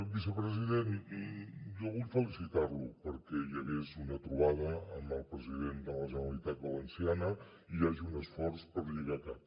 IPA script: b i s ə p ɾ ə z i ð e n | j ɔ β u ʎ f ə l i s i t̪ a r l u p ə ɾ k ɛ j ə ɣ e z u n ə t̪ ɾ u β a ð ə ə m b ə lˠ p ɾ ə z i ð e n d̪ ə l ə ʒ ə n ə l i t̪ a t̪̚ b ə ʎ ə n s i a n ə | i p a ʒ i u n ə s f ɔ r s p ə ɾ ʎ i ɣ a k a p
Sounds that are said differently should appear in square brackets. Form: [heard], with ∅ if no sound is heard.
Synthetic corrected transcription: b i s ə p ɾ ə z i ð e n | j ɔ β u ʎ f ə l i s i t̪ a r l u p ə ɾ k ɛ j ə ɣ e z u n ə t̪ ɾ u β a ð ə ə m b ə lˠ p ɾ ə z i ð e n d̪ ə l ə ʒ ə n ə l i t̪ a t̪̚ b ə [l] ə n s i a n ə | i [∅] a ʒ i u n ə s f ɔ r s p ə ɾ ʎ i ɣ a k a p